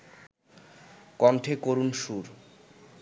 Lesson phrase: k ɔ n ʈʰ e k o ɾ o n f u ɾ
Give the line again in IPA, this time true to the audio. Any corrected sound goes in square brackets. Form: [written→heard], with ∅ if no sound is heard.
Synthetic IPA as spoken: k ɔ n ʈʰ e k o ɾ [o→u] n [f→ʃ] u ɾ